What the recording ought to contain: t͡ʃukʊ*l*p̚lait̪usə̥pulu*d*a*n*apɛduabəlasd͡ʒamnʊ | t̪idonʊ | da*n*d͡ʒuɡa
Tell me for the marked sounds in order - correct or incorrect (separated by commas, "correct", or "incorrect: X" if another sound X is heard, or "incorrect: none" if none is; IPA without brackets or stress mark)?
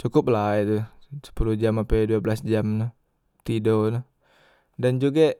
incorrect: none, incorrect: d͡ʒ, incorrect: m, correct